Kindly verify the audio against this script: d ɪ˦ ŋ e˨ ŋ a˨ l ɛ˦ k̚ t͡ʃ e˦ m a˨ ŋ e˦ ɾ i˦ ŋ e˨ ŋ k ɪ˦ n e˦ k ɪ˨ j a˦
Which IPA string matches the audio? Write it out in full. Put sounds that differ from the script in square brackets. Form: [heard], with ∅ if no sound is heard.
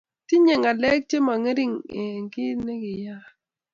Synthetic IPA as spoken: [t] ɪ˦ [ɲ] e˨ ŋ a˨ l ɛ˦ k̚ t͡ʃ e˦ m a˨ ŋ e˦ ɾ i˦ ŋ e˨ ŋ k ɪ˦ n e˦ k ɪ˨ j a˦